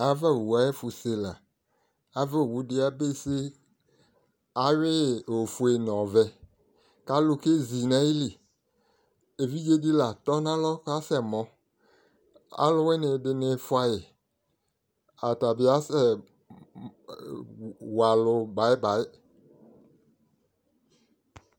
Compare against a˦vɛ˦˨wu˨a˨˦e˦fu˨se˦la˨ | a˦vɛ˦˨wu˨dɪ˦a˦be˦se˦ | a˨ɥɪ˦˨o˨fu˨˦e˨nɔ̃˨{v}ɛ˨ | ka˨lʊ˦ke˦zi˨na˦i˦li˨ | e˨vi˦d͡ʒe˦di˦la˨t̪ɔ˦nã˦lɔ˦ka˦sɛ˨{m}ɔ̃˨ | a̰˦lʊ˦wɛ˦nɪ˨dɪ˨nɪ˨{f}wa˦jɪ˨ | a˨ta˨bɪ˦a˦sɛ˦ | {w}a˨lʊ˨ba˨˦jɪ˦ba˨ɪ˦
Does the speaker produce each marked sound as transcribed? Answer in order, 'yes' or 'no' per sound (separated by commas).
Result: yes, yes, yes, yes